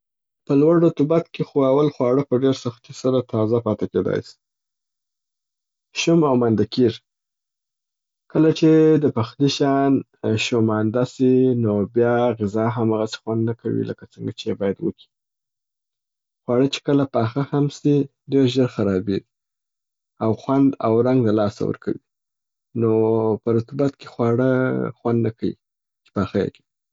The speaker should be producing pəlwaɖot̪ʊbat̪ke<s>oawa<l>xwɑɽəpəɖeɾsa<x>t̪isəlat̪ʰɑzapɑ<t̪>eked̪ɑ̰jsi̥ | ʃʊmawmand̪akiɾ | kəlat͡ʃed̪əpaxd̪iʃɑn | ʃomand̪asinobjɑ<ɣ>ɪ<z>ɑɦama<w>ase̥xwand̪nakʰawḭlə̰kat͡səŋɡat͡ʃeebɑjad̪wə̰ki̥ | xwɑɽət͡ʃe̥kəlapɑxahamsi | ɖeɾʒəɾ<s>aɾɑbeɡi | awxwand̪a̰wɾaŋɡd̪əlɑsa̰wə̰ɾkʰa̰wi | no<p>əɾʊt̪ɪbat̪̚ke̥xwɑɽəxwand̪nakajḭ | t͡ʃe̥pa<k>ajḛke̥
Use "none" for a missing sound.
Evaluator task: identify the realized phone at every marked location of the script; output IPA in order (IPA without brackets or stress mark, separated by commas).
x, l, x, t̪, ɣ, z, ɣ, x, p, x